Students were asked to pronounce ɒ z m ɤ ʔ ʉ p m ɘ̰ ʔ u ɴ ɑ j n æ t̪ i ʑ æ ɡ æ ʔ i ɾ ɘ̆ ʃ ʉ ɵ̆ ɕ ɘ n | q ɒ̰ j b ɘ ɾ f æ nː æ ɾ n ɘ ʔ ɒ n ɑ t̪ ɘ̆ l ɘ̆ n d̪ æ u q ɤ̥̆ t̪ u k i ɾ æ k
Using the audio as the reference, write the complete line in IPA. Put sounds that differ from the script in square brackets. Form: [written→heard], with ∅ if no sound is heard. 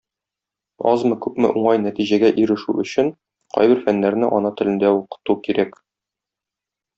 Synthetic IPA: ɒ z m ɤ [ʔ→k] ʉ p m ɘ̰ ʔ u ɴ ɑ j n æ t̪ i ʑ æ ɡ æ ʔ i ɾ ɘ̆ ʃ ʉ ɵ̆ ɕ ɘ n | q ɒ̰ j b ɘ ɾ f æ nː æ ɾ n ɘ ʔ ɒ n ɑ t̪ ɘ̆ l ɘ̆ n d̪ æ u q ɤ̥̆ t̪ u k i ɾ æ k